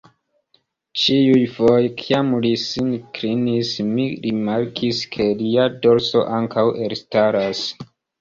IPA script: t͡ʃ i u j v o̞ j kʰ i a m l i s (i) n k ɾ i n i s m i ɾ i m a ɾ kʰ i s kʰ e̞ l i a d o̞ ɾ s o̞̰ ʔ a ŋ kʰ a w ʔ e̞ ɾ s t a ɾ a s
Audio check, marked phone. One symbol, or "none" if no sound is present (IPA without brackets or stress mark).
i